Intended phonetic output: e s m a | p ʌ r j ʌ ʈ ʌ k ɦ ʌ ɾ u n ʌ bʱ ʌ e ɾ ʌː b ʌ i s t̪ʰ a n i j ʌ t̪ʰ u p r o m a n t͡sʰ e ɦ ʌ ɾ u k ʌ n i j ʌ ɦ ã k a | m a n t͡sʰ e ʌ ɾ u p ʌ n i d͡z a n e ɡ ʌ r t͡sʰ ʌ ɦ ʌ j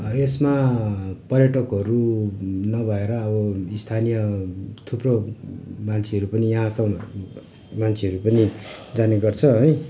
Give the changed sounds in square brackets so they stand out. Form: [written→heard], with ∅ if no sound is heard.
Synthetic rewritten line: e s m a | p ʌ r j ʌ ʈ ʌ k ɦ ʌ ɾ u n ʌ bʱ ʌ e ɾ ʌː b ʌ i s t̪ʰ a n i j ʌ t̪ʰ u p r o m a n t͡sʰ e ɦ ʌ ɾ u [k→p] ʌ n i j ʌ ɦ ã k a | m a n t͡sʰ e ʌ ɾ u p ʌ n i d͡z a n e ɡ ʌ r t͡sʰ ʌ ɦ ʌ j